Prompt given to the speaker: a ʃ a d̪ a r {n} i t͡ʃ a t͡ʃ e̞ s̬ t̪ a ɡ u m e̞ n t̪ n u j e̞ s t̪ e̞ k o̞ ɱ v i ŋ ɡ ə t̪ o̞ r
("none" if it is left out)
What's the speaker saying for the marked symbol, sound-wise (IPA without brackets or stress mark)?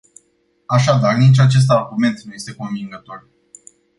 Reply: n